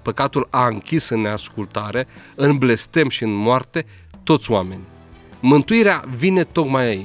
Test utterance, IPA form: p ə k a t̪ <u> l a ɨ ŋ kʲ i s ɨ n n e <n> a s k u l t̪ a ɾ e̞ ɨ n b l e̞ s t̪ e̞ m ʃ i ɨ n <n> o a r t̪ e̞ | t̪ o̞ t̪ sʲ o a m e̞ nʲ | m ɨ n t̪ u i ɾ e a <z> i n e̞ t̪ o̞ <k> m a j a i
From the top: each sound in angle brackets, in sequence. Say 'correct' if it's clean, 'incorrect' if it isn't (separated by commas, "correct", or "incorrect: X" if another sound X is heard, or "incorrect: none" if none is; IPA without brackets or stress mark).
correct, incorrect: none, incorrect: m, incorrect: v, correct